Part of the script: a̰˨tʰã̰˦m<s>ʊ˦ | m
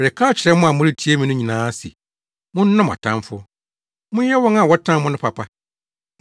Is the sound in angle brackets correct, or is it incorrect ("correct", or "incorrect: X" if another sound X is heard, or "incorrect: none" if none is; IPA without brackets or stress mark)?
incorrect: f